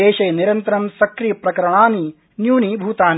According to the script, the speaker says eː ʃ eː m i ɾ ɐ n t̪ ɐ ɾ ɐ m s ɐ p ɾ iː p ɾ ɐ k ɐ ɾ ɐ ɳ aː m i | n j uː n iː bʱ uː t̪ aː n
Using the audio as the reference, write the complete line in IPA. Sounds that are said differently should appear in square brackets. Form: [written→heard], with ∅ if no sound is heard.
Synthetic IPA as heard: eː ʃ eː [m→n] i ɾ ɐ n t̪ ɐ ɾ ɐ m s ɐ [p→k] ɾ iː p ɾ ɐ k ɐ ɾ ɐ ɳ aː [m→n] i | n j uː n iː bʱ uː t̪ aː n